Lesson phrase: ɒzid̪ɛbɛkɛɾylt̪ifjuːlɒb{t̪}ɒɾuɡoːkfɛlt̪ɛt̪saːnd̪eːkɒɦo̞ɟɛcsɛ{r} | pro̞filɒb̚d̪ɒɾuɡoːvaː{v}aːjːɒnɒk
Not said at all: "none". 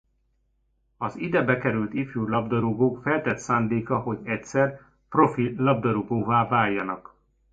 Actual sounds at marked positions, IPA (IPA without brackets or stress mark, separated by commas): d̪, r, v